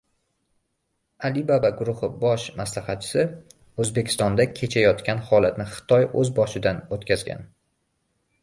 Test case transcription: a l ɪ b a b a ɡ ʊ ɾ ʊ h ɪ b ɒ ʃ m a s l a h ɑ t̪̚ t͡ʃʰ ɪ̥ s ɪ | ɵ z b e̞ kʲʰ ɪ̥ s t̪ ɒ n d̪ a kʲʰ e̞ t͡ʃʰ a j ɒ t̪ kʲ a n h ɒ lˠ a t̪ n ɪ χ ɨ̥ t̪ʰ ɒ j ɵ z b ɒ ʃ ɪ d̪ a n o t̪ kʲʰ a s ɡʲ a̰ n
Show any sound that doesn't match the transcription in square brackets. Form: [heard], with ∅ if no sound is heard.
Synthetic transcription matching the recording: a l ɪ b a b a ɡ ʊ ɾ ʊ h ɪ b ɒ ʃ m a s l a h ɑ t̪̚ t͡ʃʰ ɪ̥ s ɪ | ɵ z b e̞ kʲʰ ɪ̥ s t̪ ɒ n d̪ a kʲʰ e̞ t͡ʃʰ a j ɒ t̪ kʲ a n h ɒ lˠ a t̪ n ɪ χ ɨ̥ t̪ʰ ɒ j ɵ z b ɒ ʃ ɪ d̪ a n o t̪ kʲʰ a [z] ɡʲ a̰ n